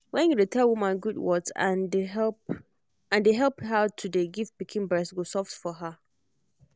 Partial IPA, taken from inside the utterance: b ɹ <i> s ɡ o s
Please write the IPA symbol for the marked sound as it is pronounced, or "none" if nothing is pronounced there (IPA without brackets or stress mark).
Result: ɛ